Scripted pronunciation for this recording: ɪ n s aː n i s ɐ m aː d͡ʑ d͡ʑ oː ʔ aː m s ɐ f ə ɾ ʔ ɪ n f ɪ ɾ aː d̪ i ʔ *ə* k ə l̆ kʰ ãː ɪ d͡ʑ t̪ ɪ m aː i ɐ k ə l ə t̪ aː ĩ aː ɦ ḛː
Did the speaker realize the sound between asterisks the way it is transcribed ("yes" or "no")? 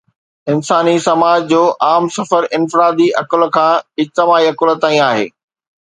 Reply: no